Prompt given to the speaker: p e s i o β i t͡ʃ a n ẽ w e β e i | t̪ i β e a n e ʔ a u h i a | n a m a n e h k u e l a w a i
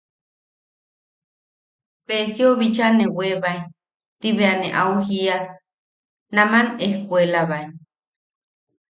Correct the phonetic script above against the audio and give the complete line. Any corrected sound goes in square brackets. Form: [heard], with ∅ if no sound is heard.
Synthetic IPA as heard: p e s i o β i t͡ʃ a n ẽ w e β [a] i | t̪ i β e a n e ʔ a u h i a | n a m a n e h k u e l a [β] a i